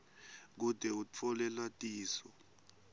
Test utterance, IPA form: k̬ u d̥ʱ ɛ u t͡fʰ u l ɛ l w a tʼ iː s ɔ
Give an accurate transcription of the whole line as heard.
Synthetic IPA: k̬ u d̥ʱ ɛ u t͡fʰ ɔ l ɛ l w a tʼ iː s ɔ